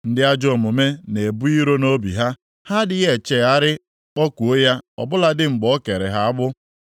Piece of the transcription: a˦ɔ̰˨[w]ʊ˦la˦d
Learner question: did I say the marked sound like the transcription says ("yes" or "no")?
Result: no